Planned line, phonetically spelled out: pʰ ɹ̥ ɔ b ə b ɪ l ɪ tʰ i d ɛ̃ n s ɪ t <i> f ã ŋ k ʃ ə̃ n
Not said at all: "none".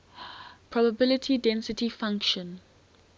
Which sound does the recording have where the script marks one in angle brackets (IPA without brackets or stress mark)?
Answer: i